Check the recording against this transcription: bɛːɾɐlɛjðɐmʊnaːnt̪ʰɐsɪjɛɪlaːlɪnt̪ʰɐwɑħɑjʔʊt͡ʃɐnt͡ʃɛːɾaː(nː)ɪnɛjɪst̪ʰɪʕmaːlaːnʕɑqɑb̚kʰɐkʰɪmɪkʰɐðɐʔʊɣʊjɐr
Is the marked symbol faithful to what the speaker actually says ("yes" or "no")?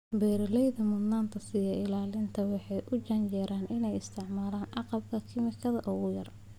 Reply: no